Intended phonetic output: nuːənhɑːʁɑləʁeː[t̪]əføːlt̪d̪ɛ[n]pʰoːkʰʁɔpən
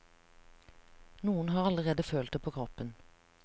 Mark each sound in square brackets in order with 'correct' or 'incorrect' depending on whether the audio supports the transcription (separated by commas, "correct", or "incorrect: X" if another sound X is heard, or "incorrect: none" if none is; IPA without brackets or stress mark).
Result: incorrect: d̪, incorrect: none